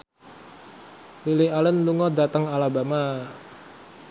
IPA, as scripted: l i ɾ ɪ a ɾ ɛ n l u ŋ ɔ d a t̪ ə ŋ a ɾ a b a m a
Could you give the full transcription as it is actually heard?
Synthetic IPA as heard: l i l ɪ a l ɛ n l u ŋ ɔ d a t̪ ə ŋ a l a b a m a